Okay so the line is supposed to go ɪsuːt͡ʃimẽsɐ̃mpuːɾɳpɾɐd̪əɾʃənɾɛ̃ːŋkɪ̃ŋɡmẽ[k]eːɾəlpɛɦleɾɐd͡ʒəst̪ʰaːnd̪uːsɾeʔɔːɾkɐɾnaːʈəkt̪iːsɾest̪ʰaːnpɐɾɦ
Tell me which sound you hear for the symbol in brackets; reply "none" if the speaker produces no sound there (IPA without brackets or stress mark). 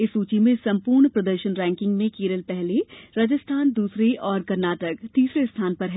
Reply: k